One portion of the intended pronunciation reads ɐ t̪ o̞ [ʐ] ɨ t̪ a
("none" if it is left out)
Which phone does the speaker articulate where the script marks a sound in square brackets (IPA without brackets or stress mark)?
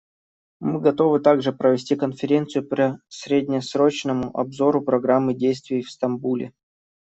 v